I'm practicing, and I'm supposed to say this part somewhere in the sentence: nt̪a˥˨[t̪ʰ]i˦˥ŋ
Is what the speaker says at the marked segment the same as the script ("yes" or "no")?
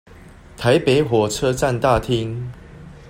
yes